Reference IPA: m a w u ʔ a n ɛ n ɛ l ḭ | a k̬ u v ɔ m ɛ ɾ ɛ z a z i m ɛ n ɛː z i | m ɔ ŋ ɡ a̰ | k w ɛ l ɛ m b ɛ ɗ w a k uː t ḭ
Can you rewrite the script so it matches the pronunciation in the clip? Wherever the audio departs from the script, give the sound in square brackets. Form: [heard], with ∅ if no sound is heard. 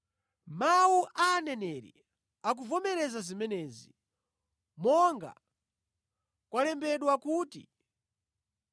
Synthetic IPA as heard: m a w u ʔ a n ɛ n ɛ [ɾ] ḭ | a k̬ u v ɔ m ɛ ɾ ɛ z a z i m ɛ n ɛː z i | m ɔ ŋ ɡ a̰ | k w [a] l ɛ m b ɛ ɗ w a k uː t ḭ